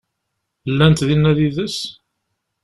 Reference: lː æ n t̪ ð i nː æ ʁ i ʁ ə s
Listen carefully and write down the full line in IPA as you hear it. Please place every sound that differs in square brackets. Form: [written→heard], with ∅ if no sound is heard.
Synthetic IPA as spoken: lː æ n t̪ ð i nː æ [ʁ→ð] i [ʁ→ð] ə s